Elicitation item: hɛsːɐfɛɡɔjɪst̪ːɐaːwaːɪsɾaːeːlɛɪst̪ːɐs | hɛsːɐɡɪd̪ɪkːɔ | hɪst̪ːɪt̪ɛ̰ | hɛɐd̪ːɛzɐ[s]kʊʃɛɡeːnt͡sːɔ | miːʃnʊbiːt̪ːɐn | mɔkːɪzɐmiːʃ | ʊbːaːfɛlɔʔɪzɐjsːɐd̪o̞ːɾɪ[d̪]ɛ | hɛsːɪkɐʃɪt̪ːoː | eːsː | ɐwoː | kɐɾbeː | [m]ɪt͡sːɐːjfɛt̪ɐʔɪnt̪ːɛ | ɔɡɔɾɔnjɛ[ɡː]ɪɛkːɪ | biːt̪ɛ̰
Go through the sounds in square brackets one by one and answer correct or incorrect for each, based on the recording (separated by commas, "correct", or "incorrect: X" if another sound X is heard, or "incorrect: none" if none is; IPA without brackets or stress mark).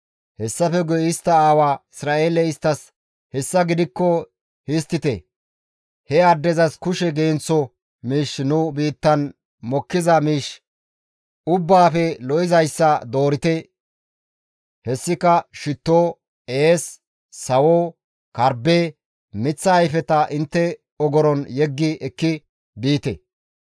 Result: correct, incorrect: t̪, correct, correct